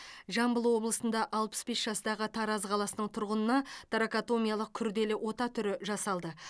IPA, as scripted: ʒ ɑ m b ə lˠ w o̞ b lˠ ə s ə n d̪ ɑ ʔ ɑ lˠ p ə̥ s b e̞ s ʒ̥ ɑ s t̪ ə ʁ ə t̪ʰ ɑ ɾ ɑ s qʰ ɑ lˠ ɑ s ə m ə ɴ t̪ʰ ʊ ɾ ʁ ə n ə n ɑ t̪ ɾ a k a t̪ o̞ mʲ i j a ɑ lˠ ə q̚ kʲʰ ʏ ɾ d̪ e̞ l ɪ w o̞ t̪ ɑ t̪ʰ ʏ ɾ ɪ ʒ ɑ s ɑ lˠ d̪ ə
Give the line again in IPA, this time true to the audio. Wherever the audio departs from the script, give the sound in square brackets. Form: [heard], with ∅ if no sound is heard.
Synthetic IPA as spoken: ʒ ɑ m b ə lˠ w o̞ b lˠ ə s ə n d̪ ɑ ʔ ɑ lˠ p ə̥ s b e̞ s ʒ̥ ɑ s t̪ [ɑ] ʁ ə t̪ʰ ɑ ɾ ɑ [z] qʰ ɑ lˠ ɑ s ə [n] ə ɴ t̪ʰ ʊ ɾ ʁ ə n ə n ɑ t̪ ɾ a k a t̪ o̞ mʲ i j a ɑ lˠ ə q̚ kʲʰ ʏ ɾ d̪ e̞ l ɪ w o̞ t̪ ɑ t̪ʰ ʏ ɾ ɪ ʒ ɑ s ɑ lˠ d̪ ə